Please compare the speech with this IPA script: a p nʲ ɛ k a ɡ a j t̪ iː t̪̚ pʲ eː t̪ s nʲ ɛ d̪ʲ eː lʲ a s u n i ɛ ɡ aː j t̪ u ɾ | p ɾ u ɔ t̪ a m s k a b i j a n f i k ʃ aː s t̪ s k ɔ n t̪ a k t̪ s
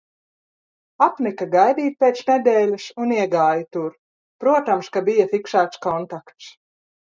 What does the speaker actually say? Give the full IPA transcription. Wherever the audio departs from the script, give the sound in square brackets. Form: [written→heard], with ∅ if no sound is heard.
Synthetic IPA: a p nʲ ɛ k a ɡ a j [t̪→d̪] iː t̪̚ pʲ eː t̪ s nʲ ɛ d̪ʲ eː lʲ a s u n i ɛ ɡ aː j t̪ u ɾ | p ɾ u ɔ t̪ a m s k a b i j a [n→∅] f i k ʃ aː [s→∅] t̪ s k ɔ n t̪ a k t̪ s